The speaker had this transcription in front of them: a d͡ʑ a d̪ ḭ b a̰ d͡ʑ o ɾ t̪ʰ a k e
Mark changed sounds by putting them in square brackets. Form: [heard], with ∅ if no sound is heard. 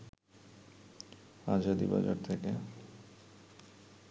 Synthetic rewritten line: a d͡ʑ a d̪ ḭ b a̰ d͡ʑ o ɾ t̪ʰ [e] k e